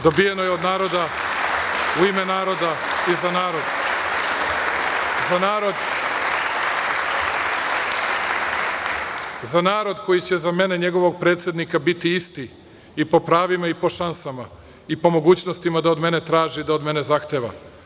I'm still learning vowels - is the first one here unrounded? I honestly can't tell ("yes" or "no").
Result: no